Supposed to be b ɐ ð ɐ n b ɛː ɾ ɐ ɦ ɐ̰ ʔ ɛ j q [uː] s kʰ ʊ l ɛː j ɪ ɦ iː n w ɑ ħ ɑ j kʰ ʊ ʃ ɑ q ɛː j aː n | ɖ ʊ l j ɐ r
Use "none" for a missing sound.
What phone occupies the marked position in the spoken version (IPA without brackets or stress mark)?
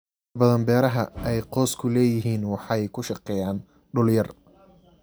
ɔː